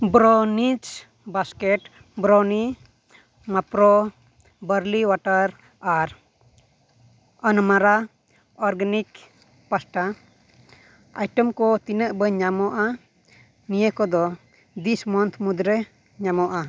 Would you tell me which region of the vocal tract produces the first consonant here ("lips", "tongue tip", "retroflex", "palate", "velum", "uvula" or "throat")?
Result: lips